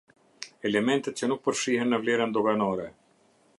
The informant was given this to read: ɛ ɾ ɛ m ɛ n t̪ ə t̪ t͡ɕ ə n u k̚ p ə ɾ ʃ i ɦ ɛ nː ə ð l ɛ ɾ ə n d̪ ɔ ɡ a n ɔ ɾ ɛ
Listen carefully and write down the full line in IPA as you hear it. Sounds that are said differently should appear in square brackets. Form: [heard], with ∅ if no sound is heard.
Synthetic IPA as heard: ɛ [l] ɛ m ɛ n t̪ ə t̪ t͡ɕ ə n u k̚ p ə ɾ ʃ i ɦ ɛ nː ə [v] l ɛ ɾ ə n d̪ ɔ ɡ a n ɔ ɾ ɛ